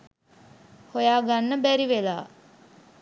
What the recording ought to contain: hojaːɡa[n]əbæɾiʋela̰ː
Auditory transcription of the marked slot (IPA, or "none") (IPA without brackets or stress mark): nː